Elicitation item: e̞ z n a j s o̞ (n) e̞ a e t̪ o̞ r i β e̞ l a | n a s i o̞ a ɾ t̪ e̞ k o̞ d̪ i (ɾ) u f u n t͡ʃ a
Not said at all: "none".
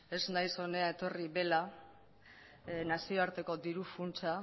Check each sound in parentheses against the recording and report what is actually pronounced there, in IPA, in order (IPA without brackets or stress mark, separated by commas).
n, ɾ